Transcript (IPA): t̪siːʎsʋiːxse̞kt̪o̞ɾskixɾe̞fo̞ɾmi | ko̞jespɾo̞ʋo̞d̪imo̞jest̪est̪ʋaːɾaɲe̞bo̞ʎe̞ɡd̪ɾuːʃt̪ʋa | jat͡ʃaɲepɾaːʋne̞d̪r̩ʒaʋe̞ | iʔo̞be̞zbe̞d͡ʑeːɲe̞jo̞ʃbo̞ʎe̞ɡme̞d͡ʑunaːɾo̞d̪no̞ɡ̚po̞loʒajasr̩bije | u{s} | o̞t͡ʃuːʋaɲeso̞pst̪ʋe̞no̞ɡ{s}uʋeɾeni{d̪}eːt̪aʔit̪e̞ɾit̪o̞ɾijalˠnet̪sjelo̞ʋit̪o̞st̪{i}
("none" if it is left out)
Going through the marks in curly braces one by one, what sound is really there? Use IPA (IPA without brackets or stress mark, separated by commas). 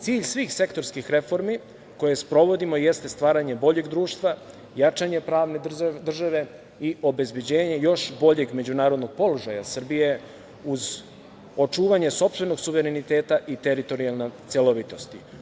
z, s, t̪, i